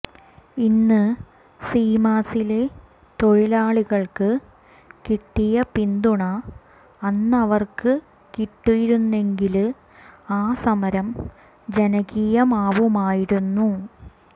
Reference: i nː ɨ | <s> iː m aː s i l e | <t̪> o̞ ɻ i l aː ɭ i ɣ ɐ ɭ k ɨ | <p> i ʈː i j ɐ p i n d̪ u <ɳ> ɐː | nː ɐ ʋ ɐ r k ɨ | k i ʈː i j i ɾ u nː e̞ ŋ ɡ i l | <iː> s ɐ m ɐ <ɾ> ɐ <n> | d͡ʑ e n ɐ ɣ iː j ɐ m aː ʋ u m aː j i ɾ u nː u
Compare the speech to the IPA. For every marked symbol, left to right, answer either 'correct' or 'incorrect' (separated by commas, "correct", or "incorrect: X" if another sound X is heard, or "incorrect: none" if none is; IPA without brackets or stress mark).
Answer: correct, correct, incorrect: k, correct, incorrect: aː, correct, incorrect: m